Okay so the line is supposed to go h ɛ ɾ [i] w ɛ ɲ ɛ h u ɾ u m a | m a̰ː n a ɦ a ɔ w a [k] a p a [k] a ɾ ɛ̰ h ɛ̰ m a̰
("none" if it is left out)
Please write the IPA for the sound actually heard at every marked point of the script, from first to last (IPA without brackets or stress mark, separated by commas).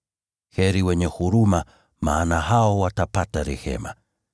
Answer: i, t, t